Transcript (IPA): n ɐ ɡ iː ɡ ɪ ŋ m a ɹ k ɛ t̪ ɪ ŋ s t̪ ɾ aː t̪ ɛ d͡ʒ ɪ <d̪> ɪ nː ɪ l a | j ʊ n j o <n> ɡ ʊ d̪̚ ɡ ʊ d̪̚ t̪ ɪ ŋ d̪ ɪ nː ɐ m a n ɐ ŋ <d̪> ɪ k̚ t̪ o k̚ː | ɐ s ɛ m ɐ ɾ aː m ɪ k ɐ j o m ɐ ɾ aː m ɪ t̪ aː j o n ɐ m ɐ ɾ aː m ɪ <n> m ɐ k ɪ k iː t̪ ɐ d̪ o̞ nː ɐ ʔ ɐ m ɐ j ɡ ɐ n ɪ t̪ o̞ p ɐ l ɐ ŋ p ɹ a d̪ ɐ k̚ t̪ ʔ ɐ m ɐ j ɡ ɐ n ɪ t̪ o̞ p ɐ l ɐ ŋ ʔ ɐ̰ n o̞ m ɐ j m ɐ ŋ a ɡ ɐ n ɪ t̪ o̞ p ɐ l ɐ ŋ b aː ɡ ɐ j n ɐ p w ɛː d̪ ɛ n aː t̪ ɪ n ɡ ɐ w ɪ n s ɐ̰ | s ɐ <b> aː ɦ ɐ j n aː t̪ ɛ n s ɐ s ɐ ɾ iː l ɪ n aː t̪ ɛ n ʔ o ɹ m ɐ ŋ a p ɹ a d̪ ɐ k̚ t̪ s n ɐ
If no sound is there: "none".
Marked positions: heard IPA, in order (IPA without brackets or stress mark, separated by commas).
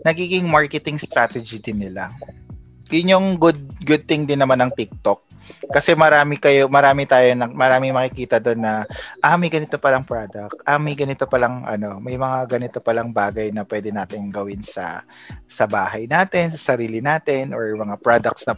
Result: d̪, ŋ, t̪, ŋ, b